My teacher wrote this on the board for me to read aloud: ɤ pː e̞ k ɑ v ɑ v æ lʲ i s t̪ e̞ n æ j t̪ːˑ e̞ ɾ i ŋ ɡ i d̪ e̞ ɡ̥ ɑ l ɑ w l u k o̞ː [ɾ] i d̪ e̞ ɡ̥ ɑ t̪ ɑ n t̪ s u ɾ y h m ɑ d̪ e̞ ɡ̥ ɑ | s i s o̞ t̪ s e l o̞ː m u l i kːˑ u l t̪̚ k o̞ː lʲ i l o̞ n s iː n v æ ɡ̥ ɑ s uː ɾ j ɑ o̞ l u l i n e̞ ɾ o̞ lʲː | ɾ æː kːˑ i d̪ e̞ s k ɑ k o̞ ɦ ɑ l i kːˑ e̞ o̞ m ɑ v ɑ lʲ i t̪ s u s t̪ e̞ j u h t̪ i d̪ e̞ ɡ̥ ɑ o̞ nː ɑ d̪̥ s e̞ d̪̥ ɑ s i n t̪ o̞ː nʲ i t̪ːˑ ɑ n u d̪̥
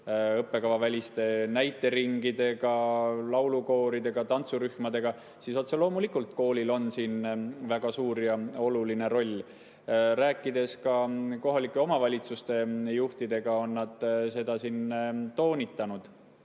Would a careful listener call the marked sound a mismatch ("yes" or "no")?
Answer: no